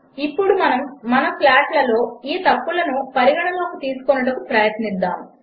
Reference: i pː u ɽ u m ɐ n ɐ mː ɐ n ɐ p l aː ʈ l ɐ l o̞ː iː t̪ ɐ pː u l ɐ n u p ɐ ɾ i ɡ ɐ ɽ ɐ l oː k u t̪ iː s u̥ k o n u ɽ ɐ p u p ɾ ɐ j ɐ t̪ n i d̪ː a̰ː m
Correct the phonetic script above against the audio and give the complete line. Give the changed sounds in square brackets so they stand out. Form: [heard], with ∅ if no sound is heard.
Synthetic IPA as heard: i pː u ɽ u m ɐ n ɐ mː ɐ n ɐ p l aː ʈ l ɐ l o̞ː iː t̪ ɐ pː u l ɐ n u p ɐ ɾ i ɡ ɐ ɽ ɐ l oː k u t̪ iː s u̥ k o n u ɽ ɐ [k] u p ɾ ɐ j ɐ t̪ n i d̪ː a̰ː m